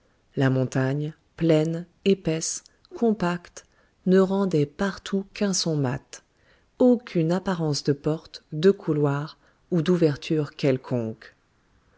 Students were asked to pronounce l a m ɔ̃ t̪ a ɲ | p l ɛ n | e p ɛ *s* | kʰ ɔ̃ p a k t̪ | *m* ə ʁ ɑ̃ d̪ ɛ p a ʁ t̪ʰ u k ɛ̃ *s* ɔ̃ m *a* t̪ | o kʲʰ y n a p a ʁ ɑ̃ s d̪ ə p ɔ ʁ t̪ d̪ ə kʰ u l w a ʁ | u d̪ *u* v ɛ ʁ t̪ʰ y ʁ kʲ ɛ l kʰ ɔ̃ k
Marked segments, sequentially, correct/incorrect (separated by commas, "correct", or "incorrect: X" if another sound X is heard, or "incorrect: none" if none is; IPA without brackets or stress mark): correct, incorrect: n, correct, correct, correct